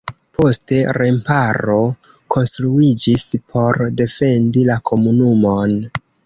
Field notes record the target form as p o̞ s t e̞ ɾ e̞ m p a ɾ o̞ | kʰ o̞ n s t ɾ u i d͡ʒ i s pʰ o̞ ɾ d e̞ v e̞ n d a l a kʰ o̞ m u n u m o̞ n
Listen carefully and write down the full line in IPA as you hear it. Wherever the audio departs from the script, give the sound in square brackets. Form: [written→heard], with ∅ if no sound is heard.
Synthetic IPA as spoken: p o̞ s t e̞ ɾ e̞ m p a ɾ o̞ | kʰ o̞ n s t ɾ u i d͡ʒ i s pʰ o̞ ɾ d e̞ [v→f] e̞ n d [a→i] l a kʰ o̞ m u n u m o̞ n